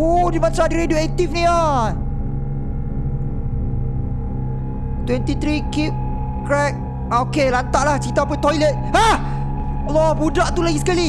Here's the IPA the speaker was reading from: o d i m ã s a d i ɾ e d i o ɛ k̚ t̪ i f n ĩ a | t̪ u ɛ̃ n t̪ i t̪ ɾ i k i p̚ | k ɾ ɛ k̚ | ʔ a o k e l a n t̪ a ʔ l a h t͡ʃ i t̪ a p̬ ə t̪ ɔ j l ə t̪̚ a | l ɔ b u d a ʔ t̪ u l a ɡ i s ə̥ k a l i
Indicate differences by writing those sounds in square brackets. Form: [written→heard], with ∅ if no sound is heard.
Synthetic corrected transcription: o d i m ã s a d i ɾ e d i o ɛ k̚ t̪ i f n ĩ a | t̪ [u→w] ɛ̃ n t̪ i t̪ ɾ i k i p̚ | k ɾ ɛ k̚ | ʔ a o k e l a n t̪ a ʔ l a h t͡ʃ i t̪ a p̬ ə t̪ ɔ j l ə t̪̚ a | l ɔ b u d a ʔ t̪ u l a ɡ i s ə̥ k a l i